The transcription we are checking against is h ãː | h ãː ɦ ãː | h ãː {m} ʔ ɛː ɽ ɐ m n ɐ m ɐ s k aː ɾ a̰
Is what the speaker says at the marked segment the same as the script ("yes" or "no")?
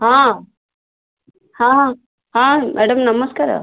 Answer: yes